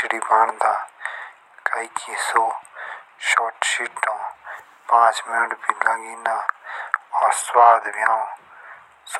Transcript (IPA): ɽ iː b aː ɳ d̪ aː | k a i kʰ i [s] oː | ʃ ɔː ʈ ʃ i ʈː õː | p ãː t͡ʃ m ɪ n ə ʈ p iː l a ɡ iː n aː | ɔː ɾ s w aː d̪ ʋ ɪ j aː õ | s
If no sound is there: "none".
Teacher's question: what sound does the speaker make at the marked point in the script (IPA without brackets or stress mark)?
s